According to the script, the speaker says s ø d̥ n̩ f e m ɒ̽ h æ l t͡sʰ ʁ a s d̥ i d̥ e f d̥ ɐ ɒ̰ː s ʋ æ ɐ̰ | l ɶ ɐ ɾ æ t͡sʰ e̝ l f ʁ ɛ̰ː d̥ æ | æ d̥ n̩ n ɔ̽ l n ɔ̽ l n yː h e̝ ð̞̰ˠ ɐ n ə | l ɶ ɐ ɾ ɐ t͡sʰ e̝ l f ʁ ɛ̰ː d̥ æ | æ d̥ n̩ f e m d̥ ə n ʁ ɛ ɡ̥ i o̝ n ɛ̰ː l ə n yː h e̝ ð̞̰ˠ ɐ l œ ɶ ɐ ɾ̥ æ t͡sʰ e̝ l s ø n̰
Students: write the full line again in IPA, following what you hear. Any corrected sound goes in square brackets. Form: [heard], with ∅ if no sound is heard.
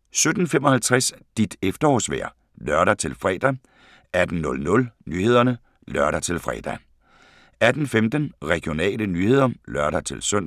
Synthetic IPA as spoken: s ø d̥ n̩ f e m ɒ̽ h æ l t͡sʰ ʁ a s d̥ i d̥ e f d̥ ɐ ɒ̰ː s ʋ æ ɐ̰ | l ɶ ɐ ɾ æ t͡sʰ e̝ l f ʁ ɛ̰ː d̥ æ | æ d̥ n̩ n ɔ̽ l n ɔ̽ l n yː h e̝ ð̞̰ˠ ɐ n ə | l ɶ ɐ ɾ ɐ t͡sʰ e̝ l f ʁ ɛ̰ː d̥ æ | æ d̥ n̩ f e m d̥ ə n ʁ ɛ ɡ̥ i o̝ n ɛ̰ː l ə n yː h e̝ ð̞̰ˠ ɐ l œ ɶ ɐ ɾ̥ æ t͡sʰ e̝ l s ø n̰